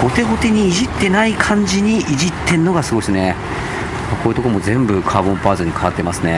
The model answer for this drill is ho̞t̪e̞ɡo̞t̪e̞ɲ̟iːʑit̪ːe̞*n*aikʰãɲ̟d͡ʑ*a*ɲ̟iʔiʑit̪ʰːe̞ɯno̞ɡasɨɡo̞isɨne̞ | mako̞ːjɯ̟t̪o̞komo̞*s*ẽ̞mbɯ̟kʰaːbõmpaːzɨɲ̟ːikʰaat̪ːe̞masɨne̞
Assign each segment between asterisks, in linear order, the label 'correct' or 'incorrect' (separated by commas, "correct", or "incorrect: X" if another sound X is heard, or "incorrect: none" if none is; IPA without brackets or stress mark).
correct, incorrect: i, incorrect: z